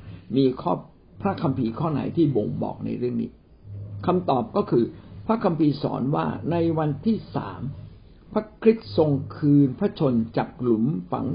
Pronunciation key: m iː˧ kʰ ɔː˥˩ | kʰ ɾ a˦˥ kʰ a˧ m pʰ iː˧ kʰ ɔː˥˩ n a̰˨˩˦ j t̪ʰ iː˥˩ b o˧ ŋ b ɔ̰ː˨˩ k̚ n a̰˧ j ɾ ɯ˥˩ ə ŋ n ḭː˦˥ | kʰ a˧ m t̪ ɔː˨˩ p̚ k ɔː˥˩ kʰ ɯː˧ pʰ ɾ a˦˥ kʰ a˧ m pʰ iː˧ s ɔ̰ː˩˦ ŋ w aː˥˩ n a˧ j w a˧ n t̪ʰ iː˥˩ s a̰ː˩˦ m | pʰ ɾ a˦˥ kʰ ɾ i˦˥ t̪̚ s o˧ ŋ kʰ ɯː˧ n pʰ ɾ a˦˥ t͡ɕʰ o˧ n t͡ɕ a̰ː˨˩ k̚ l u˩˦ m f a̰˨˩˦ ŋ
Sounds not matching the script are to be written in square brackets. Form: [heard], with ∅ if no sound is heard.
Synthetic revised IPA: m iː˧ kʰ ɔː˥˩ | [pʰ] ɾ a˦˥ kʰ a˧ m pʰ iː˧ kʰ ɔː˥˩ n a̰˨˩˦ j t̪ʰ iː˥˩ b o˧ ŋ b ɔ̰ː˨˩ k̚ n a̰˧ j ɾ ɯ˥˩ ə ŋ n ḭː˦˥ | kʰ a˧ m t̪ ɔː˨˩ p̚ k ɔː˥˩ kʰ ɯː˧ pʰ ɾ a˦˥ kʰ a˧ m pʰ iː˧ s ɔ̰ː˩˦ [n] w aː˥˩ n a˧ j w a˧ n t̪ʰ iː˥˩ s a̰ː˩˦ m | pʰ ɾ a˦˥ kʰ ɾ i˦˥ t̪̚ s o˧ ŋ kʰ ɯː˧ n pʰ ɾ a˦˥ t͡ɕʰ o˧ n t͡ɕ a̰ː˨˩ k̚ l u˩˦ m f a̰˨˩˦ ŋ